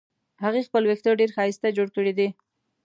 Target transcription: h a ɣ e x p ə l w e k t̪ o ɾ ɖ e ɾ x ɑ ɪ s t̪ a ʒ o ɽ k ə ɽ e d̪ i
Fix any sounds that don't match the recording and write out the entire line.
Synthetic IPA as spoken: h a ɣ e x p ə l w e k t̪ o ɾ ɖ e ɾ x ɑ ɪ s t̪ a d͡ʒ o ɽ k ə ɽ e d̪ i